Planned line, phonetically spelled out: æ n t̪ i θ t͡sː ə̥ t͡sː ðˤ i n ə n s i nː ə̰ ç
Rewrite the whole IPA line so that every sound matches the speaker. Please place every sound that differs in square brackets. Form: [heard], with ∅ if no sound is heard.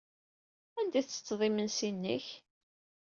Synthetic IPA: æ n [d̪] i θ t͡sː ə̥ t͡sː ðˤ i [m] ə n s i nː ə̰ ç